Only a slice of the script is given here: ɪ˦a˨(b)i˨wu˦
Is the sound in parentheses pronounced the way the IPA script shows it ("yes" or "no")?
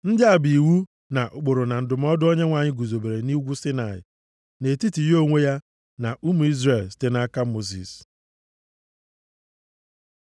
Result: yes